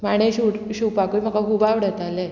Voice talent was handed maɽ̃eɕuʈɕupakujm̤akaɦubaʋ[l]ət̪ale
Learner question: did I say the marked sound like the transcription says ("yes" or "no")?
no